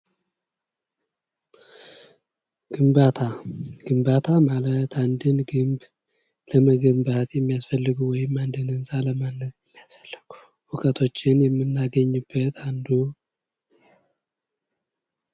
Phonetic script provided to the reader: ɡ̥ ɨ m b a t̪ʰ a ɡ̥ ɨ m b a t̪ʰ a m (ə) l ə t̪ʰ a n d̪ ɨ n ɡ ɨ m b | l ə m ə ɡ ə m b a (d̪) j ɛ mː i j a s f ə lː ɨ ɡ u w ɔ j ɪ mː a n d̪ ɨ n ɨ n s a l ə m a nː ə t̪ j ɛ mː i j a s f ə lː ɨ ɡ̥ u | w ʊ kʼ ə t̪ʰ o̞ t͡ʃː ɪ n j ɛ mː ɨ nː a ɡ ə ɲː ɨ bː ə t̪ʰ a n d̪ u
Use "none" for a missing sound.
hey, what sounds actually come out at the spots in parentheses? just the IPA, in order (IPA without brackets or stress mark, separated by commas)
a, t̪